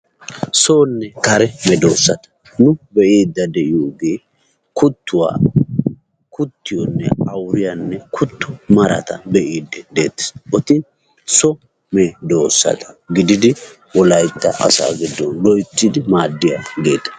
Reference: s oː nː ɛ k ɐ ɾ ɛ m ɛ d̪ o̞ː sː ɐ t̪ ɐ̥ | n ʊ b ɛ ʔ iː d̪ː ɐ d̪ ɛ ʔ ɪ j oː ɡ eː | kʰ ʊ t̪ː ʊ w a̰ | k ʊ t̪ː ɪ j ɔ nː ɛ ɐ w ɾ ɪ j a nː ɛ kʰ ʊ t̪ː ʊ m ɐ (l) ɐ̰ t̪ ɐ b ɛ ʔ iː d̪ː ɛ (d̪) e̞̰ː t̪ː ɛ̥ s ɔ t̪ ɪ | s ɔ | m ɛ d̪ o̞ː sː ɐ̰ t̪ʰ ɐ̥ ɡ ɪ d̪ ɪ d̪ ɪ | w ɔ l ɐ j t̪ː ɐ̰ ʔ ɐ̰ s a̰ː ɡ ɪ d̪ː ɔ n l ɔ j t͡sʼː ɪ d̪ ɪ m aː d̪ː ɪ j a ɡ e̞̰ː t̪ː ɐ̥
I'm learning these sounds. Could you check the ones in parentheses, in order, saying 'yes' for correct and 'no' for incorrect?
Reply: no, yes

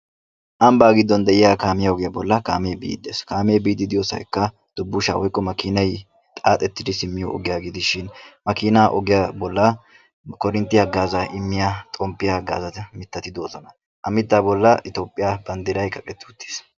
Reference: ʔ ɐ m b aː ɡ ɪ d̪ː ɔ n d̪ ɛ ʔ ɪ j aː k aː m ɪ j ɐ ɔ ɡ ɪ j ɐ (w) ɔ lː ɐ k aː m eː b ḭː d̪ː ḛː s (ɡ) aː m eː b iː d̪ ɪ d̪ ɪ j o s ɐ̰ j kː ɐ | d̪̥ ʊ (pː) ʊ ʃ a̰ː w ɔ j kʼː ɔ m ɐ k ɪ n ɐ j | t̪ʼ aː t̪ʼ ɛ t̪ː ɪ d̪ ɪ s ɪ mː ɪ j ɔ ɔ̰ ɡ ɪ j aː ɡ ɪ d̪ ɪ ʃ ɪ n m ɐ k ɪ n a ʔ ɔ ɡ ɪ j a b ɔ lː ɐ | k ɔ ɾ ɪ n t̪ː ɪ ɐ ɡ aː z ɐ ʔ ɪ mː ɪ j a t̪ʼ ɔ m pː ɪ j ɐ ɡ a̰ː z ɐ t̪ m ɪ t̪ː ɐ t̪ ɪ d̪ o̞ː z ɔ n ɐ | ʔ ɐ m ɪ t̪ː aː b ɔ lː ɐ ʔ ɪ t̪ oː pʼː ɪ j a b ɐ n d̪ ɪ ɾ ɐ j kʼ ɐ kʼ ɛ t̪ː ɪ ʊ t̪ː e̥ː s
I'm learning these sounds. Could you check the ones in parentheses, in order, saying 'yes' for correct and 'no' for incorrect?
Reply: no, no, no

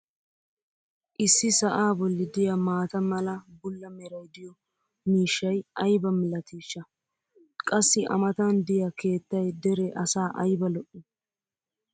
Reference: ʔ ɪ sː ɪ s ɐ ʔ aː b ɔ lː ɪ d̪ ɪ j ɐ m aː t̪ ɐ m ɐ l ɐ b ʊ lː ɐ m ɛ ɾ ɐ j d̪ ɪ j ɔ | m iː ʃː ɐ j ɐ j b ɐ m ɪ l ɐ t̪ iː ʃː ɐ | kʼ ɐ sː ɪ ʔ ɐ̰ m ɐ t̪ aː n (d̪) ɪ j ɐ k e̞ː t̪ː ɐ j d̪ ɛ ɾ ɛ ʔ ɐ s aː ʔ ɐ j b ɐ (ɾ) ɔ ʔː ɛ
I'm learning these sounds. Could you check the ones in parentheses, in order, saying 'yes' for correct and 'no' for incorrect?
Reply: yes, no

